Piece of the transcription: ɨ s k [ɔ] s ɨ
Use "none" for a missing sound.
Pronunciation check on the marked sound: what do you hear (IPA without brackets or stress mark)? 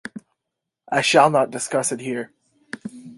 ʌ